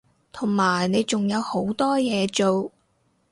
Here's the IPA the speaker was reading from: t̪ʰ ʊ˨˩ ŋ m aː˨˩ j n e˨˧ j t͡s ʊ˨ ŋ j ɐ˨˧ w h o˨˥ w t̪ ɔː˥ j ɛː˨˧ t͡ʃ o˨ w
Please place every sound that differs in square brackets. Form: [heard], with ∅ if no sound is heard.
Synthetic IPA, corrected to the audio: t̪ʰ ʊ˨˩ ŋ m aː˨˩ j n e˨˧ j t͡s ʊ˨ ŋ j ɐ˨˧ w h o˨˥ w t̪ ɔː˥ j ɛː˨˧ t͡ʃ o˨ w

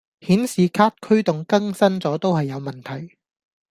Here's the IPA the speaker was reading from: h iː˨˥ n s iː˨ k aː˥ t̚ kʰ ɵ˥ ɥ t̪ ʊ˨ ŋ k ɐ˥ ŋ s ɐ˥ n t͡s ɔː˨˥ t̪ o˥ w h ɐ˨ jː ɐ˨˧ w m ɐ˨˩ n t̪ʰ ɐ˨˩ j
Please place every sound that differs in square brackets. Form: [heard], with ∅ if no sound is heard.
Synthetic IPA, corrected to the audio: h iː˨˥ n s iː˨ [kʰ] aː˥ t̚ kʰ ɵ˥ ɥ t̪ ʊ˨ ŋ k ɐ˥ ŋ s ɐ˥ n t͡s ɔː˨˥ t̪ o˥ w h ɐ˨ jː ɐ˨˧ w m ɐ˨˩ n t̪ʰ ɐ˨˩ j

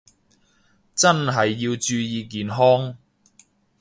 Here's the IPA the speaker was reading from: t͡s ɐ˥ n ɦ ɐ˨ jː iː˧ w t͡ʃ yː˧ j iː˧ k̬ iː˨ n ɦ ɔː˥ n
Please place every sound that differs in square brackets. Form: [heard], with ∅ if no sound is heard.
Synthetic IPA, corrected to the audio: t͡s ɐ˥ n ɦ ɐ˨ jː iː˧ w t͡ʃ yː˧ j iː˧ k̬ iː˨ n ɦ ɔː˥ [ŋ]

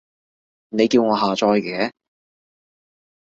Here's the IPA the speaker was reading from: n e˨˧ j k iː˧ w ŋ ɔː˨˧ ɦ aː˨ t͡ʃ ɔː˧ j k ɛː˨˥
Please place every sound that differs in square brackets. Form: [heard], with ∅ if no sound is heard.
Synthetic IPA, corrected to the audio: n e˨˧ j k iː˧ w ŋ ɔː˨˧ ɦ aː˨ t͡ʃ ɔː˧ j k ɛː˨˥

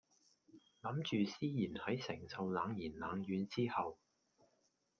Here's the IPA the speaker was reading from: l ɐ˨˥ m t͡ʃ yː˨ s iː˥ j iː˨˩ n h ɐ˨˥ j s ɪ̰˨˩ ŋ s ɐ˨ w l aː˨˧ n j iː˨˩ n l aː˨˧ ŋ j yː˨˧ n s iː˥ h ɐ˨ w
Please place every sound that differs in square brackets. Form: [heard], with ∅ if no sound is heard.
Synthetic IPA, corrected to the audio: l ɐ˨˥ m t͡ʃ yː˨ s iː˥ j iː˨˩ n h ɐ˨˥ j s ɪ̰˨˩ ŋ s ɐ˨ w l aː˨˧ [ŋ] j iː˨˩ n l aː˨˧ ŋ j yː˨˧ n [t͡s] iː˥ h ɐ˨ w

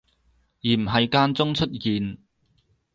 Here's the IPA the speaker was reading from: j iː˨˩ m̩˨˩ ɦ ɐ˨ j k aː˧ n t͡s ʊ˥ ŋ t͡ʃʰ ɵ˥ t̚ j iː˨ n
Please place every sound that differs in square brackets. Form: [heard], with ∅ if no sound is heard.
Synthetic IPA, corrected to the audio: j iː˨˩ m̩˨˩ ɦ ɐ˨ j k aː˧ n t͡s ʊ˥ ŋ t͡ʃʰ ɵ˥ t̚ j iː˨ n

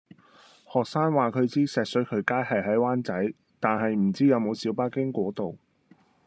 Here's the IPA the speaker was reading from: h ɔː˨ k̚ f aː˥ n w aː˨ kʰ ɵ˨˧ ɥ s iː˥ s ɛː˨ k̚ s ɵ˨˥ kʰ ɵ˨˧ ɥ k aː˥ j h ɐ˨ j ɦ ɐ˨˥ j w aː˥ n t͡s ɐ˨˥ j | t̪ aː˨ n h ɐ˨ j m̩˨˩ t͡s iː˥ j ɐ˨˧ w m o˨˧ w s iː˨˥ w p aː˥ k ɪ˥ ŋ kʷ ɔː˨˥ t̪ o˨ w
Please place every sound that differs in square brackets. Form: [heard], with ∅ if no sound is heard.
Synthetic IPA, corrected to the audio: h ɔː˨ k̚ [s] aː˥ n w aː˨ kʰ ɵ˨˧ ɥ [t͡s] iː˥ s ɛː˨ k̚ s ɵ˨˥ kʰ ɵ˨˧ ɥ k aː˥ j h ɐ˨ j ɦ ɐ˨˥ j w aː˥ n t͡s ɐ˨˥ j | t̪ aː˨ n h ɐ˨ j m̩˨˩ t͡s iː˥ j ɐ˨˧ w m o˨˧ w s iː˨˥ w p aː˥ k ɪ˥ ŋ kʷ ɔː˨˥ t̪ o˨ w

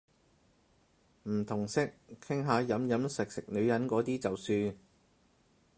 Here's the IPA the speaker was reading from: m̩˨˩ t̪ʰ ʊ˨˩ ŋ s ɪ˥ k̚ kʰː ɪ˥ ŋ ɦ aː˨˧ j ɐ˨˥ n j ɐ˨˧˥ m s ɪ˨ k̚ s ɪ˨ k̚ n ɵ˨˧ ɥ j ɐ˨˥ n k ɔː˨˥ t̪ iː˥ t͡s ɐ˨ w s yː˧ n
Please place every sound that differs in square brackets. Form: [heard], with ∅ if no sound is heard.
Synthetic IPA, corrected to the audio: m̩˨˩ t̪ʰ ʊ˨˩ ŋ s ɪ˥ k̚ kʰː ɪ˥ ŋ ɦ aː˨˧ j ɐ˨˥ [m] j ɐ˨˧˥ m s ɪ˨ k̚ s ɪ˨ k̚ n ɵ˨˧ ɥ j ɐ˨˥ n k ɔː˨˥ t̪ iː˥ t͡s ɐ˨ w s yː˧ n

